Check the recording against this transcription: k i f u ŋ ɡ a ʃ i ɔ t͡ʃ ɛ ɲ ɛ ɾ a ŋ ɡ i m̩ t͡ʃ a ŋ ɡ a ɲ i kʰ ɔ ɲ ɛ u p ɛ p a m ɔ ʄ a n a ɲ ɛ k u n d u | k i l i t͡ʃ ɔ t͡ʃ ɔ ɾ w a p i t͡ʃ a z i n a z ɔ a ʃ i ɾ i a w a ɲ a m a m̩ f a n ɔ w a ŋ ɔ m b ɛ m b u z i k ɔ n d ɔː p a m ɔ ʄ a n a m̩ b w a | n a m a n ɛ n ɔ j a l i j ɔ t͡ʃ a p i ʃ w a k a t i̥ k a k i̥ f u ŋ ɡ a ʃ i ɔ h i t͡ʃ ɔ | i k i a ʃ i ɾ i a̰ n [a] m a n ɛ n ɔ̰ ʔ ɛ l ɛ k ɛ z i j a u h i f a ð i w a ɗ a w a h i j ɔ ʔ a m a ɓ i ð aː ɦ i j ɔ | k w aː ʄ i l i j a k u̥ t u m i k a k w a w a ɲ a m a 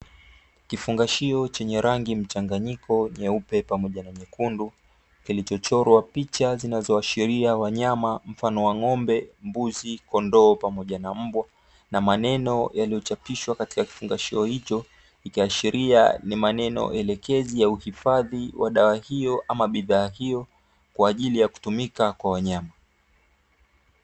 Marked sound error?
yes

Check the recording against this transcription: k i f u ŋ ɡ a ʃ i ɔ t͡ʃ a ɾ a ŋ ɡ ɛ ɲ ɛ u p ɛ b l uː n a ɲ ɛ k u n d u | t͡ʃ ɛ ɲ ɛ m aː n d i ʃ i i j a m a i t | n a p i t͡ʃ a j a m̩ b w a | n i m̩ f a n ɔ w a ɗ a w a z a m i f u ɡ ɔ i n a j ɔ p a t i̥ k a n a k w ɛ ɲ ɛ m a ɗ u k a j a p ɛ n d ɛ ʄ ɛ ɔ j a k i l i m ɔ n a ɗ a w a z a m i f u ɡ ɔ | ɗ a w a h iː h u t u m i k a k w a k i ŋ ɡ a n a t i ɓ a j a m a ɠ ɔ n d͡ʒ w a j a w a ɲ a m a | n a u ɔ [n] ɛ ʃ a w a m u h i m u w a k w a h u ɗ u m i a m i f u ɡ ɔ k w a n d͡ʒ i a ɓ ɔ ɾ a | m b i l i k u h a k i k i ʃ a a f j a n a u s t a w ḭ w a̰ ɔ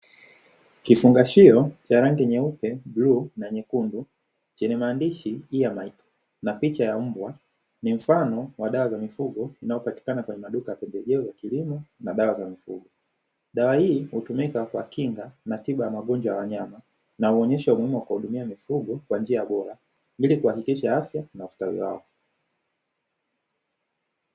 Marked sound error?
yes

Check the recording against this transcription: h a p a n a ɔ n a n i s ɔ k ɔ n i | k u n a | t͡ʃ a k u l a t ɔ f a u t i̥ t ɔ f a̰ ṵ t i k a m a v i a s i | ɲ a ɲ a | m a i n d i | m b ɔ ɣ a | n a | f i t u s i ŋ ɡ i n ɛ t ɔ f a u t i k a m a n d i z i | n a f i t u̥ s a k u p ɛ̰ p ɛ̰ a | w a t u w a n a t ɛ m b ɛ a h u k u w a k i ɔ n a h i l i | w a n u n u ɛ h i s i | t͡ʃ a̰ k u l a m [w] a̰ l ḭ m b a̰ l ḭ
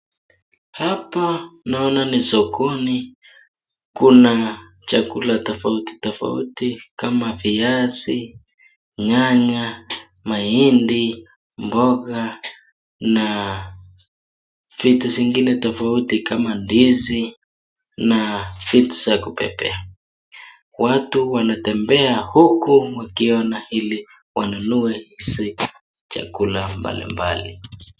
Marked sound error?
yes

